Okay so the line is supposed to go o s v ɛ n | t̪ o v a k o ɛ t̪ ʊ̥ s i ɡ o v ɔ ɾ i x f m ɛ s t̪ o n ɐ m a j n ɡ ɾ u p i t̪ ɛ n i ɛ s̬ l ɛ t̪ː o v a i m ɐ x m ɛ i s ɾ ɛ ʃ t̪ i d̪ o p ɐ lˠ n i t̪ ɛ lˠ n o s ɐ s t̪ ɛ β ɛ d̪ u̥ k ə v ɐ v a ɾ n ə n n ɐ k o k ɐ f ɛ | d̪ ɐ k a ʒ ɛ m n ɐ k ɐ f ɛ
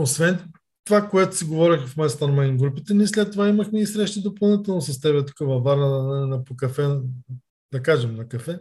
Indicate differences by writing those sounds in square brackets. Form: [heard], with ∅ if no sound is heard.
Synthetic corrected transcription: o s v ɛ n | t̪ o v a k o ɛ t̪ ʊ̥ s i ɡ o v ɔ ɾ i x f m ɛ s t̪ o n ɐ m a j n ɡ ɾ u p i t̪ ɛ n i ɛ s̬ l ɛ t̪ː o v a i m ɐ x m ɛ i s ɾ ɛ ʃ t̪ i d̪ o p ɐ lˠ n i t̪ ɛ lˠ n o s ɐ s t̪ ɛ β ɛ [t̪] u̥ k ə v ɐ v a ɾ n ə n n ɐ [p] o k ɐ f ɛ | d̪ ɐ k a ʒ ɛ m n ɐ k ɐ f ɛ